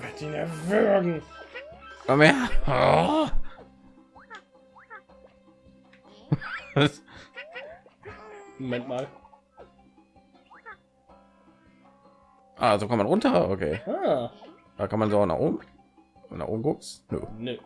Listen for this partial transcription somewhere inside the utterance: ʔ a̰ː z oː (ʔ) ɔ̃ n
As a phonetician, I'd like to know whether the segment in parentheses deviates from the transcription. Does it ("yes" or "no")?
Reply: yes